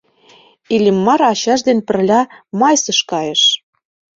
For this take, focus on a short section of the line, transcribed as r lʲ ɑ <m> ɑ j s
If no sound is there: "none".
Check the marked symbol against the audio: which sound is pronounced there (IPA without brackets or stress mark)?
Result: m